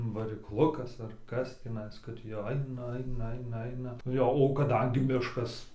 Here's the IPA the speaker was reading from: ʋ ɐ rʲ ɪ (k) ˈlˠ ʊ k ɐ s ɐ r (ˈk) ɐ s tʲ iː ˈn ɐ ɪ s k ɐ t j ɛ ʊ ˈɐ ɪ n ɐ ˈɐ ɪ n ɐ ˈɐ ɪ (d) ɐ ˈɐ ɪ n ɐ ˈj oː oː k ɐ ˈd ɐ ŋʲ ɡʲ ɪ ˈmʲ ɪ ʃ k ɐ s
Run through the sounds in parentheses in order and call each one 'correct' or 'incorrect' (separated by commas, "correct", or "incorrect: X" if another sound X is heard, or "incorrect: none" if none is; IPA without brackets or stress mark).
correct, correct, incorrect: n